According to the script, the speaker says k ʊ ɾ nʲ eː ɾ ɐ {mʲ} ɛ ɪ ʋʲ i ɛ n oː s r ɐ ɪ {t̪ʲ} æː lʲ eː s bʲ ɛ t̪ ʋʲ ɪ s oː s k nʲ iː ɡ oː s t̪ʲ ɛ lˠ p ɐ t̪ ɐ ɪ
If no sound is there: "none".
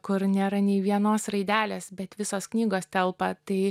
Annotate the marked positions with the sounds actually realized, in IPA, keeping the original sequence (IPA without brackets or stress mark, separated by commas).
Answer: nʲ, d̪ʲ